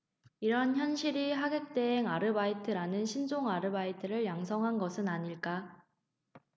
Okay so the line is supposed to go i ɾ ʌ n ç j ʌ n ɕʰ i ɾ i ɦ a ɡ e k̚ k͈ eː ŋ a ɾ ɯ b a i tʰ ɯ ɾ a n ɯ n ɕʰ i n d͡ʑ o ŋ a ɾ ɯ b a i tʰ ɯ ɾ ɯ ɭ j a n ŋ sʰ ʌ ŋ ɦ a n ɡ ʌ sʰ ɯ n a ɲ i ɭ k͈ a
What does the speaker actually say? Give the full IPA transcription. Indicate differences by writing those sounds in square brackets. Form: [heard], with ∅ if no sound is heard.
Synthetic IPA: i ɾ ʌ n ç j ʌ n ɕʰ i ɾ i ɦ a ɡ e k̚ [t͈] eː ŋ a ɾ ɯ b a i tʰ ɯ ɾ a n ɯ n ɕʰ i n d͡ʑ o ŋ a ɾ ɯ b a i tʰ ɯ ɾ ɯ ɭ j a [∅] ŋ sʰ ʌ ŋ ɦ a n ɡ ʌ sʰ ɯ n a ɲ i ɭ k͈ a

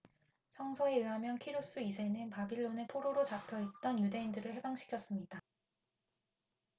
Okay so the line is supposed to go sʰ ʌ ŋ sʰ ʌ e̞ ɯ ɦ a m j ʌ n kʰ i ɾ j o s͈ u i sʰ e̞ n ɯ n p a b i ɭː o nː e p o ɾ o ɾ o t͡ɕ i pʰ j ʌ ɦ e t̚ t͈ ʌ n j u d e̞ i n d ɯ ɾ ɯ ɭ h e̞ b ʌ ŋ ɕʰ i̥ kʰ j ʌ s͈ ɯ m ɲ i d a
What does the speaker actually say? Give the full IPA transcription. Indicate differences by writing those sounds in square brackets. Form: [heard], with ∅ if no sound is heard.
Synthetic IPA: sʰ ʌ ŋ sʰ ʌ e̞ ɯ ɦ a m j ʌ n kʰ i ɾ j o s͈ u i sʰ e̞ n ɯ n p a b i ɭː o [n] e [pʰ] o ɾ o ɾ o t͡ɕ [a] pʰ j ʌ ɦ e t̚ t͈ ʌ n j u d e̞ i n d ɯ ɾ ɯ ɭ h e̞ b [a] ŋ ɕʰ i̥ kʰ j ʌ s͈ ɯ m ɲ i d a

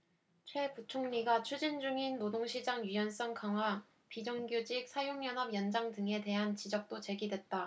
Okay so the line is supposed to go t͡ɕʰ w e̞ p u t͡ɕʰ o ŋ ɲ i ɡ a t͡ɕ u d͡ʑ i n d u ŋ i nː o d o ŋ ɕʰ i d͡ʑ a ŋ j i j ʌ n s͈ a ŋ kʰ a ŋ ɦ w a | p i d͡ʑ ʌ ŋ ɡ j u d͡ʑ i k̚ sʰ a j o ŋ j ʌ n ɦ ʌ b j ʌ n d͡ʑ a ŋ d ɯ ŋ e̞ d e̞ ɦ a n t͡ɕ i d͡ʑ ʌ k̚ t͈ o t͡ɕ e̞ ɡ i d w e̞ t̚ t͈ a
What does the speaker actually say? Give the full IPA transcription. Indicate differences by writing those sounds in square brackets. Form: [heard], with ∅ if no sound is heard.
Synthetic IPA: t͡ɕʰ w e̞ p u t͡ɕʰ o ŋ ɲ i ɡ a [t͡ɕʰ] u d͡ʑ i n [d͡ʑ] u ŋ i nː o d o ŋ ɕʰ i d͡ʑ a ŋ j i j ʌ n s͈ [ʌ] ŋ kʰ a ŋ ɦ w a | p i d͡ʑ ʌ ŋ ɡ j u d͡ʑ i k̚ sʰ a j o ŋ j ʌ n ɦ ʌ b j ʌ n d͡ʑ a ŋ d ɯ ŋ e̞ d e̞ ɦ a n t͡ɕ i d͡ʑ ʌ k̚ t͈ o t͡ɕ e̞ ɡ i d w e̞ t̚ t͈ a

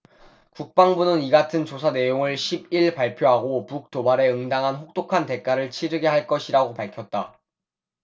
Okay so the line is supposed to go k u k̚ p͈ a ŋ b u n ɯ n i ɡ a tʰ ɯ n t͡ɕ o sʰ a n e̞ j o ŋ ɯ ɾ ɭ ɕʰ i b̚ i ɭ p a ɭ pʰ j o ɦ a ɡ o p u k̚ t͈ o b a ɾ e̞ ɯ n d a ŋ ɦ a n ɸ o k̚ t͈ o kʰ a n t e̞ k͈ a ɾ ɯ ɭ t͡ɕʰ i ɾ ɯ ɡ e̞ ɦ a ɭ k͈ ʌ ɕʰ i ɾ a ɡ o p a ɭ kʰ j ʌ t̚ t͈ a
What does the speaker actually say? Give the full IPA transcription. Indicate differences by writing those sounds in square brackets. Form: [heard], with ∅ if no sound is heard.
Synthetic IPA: k u k̚ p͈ a ŋ b u n ɯ n i ɡ a tʰ ɯ n t͡ɕ o sʰ a n e̞ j o ŋ ɯ [∅] ɭ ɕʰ i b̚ i ɭ p a ɭ pʰ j o ɦ a ɡ o p u k̚ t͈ o b a ɾ e̞ ɯ [ŋ] d a ŋ ɦ a n ɸ o k̚ t͈ o kʰ a n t e̞ k͈ a ɾ ɯ ɭ t͡ɕʰ i ɾ ɯ ɡ e̞ ɦ a ɭ k͈ ʌ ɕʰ i ɾ a ɡ o p a ɭ kʰ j ʌ t̚ t͈ a

